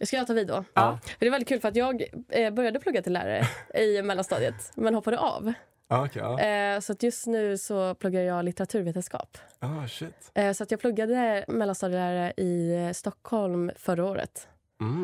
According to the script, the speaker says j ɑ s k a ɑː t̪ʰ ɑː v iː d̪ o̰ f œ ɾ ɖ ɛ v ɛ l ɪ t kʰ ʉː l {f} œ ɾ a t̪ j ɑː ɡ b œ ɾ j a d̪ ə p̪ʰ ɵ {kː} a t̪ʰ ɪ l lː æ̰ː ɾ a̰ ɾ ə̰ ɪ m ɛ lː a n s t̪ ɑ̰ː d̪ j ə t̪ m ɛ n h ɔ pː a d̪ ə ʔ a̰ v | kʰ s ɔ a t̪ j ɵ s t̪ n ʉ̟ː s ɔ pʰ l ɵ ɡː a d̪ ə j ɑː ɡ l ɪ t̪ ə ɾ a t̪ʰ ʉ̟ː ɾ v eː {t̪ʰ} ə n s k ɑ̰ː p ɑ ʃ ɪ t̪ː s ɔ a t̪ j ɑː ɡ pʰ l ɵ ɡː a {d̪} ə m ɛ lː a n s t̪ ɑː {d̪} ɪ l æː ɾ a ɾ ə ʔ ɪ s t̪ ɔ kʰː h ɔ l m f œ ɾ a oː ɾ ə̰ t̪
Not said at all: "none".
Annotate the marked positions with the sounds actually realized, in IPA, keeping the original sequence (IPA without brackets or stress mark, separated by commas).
f, ɡː, t̪, d̪, d̪